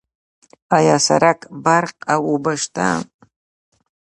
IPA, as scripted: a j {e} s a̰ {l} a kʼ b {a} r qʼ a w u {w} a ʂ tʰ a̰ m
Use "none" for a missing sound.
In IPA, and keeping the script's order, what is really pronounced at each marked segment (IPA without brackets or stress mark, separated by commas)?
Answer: a, ɾ, a, b